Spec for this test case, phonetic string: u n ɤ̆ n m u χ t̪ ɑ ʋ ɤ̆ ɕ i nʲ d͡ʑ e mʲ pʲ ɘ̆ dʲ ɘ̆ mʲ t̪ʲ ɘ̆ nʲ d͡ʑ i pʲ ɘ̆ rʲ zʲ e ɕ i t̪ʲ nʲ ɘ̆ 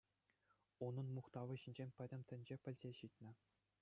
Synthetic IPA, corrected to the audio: u n ɤ̆ n m u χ t̪ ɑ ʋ ɤ̆ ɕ i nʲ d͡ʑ e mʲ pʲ ɘ̆ dʲ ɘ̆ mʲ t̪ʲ ɘ̆ nʲ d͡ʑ e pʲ ɘ̆ lʲ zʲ e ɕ i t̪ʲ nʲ ɘ̆